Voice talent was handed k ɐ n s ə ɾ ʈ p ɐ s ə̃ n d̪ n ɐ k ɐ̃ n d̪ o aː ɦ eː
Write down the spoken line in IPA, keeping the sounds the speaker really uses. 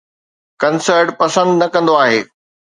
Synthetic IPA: k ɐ n s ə ɾ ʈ p ɐ s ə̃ n d̪ n ɐ k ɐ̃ n d̪ o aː ɦ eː